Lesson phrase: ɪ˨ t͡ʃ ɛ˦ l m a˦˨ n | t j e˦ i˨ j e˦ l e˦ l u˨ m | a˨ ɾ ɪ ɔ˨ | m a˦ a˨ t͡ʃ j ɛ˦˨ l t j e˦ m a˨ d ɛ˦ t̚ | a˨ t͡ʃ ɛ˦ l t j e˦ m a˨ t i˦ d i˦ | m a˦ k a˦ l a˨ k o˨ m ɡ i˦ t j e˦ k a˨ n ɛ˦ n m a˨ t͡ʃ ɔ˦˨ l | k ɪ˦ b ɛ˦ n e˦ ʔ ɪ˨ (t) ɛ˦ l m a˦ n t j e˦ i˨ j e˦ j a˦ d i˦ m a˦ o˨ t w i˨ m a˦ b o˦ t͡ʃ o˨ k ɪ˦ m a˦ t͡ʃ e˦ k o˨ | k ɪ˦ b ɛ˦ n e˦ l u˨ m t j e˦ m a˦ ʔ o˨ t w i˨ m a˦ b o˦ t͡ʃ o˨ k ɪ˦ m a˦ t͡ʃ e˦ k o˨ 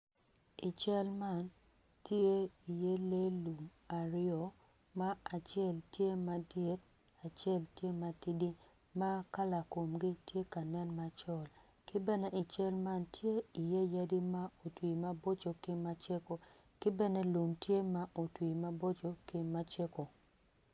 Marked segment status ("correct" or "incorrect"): incorrect